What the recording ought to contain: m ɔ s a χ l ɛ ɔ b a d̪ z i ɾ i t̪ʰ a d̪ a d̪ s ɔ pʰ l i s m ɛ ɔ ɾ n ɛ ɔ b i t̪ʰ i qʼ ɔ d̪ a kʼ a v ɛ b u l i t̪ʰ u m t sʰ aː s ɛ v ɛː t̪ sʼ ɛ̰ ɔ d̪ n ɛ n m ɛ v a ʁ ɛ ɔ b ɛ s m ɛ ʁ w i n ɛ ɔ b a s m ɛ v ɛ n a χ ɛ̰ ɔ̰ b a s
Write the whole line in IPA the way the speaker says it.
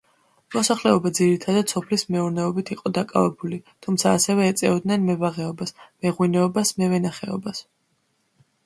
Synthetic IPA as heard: m ɔ s a χ l ɛ ɔ b a d̪ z i ɾ i t̪ʰ a d̪ a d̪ s ɔ pʰ l i s m ɛ u ɾ n ɛ ɔ b i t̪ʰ i qʼ ɔ d̪ a kʼ a v ɛ b u l i t̪ʰ u m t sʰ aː s ɛ v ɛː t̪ sʼ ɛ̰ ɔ d̪ n ɛ n m ɛ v a ʁ ɛ ɔ b a s m ɛ ʁ w i n ɛ ɔ b a s m ɛ v ɛ n a χ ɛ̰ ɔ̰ b a s